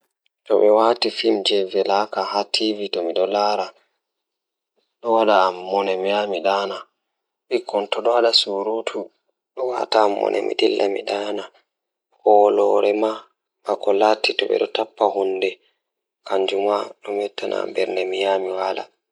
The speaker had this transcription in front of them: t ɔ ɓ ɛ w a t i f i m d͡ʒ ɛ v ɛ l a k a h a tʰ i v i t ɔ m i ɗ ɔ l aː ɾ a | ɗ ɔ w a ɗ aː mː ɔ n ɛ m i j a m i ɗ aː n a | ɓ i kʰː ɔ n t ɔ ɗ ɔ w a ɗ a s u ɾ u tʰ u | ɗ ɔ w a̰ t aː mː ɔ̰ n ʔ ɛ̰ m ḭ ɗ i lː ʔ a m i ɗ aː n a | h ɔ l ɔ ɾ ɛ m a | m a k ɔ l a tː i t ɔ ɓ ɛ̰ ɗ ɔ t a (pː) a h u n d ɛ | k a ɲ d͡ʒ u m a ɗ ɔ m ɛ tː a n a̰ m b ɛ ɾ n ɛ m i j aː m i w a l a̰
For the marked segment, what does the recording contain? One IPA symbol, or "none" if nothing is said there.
pː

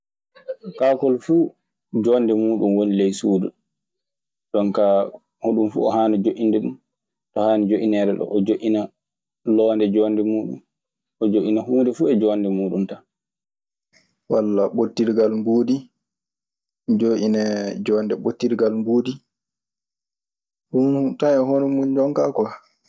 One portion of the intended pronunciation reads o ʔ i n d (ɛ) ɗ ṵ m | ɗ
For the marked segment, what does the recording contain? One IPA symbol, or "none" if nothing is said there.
ɛ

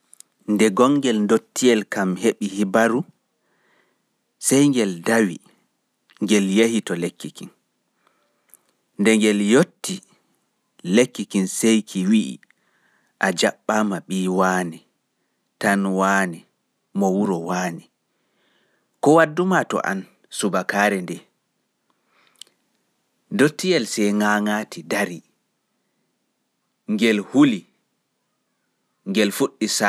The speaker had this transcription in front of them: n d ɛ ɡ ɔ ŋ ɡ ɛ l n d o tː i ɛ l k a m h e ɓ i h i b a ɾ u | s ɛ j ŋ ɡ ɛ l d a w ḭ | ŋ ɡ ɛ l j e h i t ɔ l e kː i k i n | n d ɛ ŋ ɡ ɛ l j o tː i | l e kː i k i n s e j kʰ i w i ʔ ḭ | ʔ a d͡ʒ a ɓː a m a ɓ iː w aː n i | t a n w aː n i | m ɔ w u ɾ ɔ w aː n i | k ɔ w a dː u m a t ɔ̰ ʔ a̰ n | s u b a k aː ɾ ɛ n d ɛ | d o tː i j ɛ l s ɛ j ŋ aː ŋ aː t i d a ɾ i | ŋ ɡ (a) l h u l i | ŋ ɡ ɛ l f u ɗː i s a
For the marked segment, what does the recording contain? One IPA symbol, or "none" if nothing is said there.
ɛ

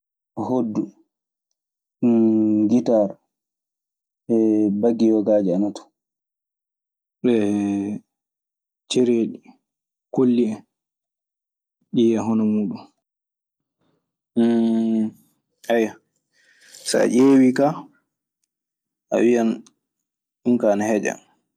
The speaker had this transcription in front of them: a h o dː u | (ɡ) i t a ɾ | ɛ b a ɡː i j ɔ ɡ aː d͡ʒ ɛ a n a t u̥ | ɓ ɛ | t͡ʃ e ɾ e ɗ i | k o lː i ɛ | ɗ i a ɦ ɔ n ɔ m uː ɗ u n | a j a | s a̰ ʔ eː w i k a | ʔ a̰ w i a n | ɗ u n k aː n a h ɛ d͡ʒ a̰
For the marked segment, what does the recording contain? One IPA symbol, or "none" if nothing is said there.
ɡ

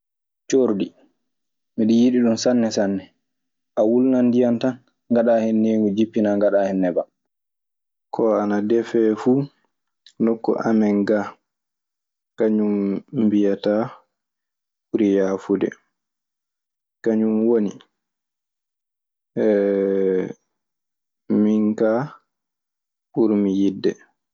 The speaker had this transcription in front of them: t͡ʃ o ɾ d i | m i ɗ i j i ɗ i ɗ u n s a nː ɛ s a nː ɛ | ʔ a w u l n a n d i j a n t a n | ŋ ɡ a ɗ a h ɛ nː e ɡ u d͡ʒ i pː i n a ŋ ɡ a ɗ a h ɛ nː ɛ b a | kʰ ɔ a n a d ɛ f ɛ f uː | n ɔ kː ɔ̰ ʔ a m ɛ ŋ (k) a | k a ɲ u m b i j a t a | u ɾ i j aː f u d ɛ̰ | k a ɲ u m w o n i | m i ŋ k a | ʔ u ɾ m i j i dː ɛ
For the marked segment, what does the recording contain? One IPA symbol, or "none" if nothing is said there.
ɡ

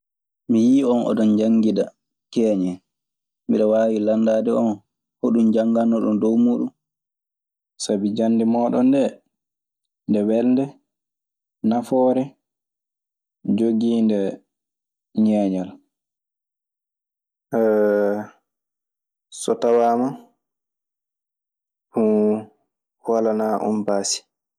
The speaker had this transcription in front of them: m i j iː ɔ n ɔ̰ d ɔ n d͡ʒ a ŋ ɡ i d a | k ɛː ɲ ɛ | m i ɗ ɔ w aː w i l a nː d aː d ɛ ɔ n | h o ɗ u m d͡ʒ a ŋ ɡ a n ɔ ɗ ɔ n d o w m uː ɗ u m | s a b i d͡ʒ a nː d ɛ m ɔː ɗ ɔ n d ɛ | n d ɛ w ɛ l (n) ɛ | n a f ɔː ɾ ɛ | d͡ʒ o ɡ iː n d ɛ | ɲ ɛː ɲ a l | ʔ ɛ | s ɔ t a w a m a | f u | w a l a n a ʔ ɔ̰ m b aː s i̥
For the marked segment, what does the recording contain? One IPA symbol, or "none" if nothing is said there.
d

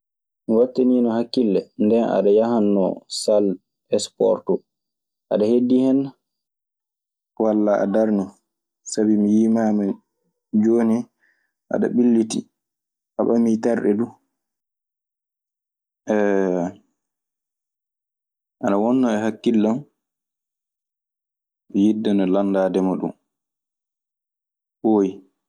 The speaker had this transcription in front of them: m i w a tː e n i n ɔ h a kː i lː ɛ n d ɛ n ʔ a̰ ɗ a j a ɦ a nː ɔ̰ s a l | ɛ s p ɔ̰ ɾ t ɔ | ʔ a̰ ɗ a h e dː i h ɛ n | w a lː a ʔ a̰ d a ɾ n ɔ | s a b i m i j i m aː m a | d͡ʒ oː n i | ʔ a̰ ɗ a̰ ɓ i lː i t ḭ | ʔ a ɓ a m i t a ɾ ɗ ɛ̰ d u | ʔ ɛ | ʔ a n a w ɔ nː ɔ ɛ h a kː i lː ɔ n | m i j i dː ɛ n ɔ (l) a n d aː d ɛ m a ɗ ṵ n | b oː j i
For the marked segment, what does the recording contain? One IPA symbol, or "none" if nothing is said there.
l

